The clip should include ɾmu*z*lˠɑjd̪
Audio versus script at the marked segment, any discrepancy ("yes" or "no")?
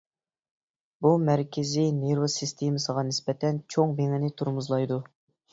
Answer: no